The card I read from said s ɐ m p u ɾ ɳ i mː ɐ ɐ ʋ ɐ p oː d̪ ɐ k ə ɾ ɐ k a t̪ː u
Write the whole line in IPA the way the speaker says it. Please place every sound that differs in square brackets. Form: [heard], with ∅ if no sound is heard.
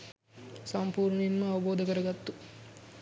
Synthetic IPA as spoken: s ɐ m p [uː] ɾ ɳ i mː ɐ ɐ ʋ ɐ [b] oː d̪ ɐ k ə ɾ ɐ [ɡ] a t̪ː u